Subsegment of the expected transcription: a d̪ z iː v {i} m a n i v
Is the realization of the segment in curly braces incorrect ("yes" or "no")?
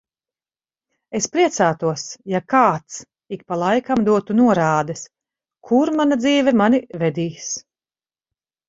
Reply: yes